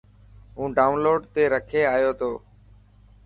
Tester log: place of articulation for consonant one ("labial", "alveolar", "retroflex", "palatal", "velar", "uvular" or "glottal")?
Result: glottal